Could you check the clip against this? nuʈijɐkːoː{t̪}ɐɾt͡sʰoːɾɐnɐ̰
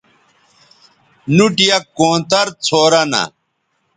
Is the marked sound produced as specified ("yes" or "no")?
yes